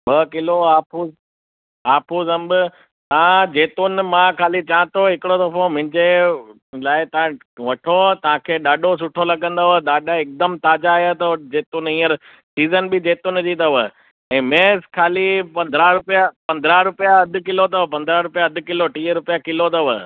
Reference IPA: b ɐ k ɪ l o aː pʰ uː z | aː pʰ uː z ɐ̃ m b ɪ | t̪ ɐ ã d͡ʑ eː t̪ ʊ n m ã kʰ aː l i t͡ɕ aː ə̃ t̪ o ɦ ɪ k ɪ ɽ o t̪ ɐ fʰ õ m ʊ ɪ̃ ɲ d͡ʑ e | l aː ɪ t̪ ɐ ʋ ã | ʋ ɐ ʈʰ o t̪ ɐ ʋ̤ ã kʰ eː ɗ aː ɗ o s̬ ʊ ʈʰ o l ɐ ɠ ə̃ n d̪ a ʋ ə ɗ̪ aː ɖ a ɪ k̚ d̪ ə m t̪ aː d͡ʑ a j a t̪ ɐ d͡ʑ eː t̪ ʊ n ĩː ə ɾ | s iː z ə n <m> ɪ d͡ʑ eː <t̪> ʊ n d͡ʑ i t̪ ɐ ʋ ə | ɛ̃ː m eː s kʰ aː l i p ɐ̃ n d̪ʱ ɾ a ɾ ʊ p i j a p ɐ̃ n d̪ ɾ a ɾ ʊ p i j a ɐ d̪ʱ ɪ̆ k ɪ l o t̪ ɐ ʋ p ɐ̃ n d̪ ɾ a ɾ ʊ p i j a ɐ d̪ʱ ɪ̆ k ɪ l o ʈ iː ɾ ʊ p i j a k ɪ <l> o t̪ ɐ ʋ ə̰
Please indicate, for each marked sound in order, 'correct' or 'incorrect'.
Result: incorrect, correct, correct

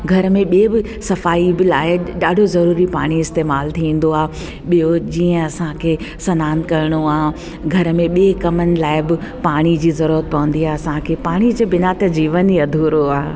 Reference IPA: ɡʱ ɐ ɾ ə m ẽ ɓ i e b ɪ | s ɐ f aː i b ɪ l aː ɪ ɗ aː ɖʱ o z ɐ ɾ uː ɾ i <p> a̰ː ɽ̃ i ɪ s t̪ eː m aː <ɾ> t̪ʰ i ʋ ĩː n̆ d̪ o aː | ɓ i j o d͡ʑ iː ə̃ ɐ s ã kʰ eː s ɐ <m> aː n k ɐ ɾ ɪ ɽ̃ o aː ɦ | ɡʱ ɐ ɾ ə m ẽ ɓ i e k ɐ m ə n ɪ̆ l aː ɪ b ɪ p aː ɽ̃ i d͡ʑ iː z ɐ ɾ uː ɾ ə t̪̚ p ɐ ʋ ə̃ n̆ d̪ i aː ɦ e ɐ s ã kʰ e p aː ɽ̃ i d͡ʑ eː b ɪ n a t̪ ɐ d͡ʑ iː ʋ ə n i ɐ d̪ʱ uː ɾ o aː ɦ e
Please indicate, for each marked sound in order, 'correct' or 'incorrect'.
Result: correct, incorrect, incorrect

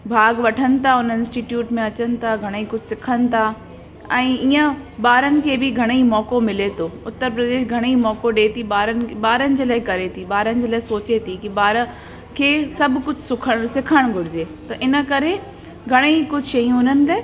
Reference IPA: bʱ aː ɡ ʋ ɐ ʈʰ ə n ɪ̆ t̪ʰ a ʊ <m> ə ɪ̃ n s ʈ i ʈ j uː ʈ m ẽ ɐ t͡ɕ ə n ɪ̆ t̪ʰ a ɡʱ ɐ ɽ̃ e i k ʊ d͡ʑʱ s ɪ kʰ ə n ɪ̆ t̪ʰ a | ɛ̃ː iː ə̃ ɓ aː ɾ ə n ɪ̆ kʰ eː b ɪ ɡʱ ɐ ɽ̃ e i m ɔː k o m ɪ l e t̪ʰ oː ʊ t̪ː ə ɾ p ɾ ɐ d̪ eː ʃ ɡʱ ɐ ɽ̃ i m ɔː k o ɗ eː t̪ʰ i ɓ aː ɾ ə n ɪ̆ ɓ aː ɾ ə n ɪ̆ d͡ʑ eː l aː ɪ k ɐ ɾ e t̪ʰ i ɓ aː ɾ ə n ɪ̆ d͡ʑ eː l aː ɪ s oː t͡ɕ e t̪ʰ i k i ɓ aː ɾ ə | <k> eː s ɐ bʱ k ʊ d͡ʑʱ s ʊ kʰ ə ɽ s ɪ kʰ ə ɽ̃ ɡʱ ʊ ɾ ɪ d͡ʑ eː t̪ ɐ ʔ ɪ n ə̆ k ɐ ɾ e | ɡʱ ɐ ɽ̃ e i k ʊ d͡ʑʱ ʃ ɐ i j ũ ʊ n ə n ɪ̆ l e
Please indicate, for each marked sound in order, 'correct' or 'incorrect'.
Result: incorrect, incorrect

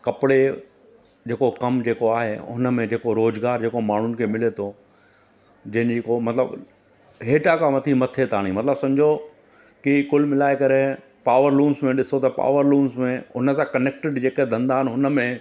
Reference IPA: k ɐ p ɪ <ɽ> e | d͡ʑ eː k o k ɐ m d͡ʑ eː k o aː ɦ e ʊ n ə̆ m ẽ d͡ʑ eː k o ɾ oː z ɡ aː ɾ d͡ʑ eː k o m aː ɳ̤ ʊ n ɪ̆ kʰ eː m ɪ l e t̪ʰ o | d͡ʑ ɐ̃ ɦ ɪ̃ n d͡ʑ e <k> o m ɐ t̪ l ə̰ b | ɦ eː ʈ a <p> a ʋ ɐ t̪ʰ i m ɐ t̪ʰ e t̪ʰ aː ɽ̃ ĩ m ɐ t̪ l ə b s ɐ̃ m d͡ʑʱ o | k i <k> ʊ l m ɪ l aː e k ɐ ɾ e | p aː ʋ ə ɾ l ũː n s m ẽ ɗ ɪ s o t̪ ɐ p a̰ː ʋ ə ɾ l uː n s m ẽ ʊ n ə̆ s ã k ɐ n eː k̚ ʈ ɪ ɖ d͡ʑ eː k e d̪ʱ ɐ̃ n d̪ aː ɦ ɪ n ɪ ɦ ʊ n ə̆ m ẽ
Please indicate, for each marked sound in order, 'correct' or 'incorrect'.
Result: correct, correct, incorrect, correct

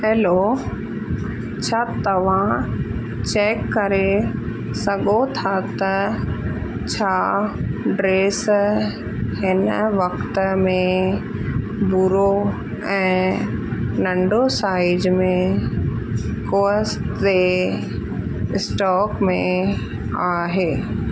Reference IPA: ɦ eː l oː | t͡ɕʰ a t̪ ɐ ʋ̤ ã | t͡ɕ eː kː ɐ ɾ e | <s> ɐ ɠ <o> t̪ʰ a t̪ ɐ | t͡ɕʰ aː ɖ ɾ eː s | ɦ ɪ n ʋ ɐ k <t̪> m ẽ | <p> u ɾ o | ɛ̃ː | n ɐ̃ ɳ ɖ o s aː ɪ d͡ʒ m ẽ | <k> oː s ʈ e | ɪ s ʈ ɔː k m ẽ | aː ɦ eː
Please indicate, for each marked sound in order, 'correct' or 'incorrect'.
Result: correct, correct, correct, incorrect, correct

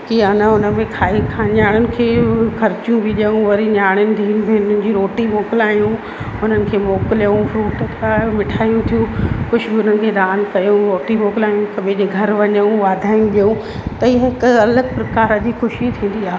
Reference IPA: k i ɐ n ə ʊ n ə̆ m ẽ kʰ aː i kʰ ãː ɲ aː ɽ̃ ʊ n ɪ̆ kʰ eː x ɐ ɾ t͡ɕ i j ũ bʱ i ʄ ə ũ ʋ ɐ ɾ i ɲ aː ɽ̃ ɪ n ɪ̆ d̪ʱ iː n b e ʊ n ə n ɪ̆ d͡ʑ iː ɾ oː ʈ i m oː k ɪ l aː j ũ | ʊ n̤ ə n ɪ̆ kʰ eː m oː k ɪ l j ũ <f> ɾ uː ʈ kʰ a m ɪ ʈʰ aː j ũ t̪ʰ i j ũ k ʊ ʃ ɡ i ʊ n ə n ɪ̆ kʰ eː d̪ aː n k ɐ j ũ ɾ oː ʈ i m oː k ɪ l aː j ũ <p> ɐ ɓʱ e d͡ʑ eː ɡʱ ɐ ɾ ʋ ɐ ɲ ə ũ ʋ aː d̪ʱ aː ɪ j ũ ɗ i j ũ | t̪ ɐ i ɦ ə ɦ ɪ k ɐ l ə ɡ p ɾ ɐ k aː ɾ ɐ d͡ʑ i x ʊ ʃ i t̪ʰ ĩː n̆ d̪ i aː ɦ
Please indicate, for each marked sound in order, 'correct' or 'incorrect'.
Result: correct, incorrect

